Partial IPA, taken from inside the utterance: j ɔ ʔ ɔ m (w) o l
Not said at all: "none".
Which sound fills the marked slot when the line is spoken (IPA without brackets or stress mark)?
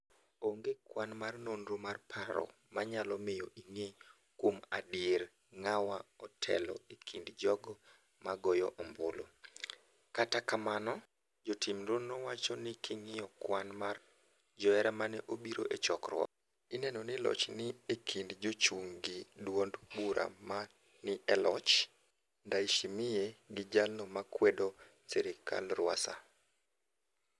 b